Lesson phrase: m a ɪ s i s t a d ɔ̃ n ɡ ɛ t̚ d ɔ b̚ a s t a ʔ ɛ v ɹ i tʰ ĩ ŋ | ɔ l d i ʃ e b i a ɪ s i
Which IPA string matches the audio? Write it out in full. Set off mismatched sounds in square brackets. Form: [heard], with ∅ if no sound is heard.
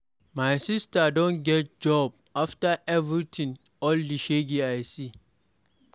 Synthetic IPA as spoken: m a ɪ s i s t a d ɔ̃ n ɡ ɛ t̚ [d͡ʒ] ɔ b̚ a [f] t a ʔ ɛ v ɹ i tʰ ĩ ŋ | ɔ l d i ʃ e [ɡ] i a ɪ s i

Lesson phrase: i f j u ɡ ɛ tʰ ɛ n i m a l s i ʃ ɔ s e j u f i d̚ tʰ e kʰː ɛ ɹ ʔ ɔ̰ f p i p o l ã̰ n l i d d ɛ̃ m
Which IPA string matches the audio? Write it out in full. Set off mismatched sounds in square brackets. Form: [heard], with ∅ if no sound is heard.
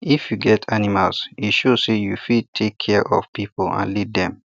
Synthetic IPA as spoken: i f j u ɡ ɛ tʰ [a] n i m a l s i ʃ [o] s e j u f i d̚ tʰ e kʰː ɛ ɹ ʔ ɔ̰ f p i p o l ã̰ n l i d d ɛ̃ m

